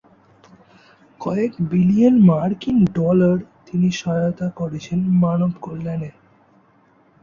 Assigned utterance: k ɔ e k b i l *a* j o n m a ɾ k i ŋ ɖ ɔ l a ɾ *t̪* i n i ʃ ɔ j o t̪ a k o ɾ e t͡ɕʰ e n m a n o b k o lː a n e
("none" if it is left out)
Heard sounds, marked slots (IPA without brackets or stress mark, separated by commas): i, t̪